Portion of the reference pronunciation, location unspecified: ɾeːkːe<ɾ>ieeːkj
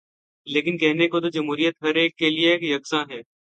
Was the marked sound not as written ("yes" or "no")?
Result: yes